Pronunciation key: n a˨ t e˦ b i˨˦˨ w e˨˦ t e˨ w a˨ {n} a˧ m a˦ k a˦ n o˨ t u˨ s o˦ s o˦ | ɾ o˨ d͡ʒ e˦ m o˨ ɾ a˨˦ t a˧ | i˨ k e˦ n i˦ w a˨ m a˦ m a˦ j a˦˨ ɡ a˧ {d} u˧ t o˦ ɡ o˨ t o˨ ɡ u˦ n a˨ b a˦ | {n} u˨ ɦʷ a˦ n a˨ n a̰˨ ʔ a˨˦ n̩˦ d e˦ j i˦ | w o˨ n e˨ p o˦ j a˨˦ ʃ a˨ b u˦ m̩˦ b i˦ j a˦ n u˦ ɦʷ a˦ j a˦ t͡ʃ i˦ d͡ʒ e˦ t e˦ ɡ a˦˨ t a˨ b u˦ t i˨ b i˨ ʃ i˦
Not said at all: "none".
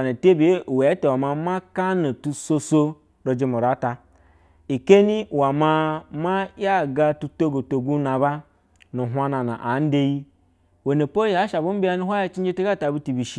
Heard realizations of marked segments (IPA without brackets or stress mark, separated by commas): m, t, n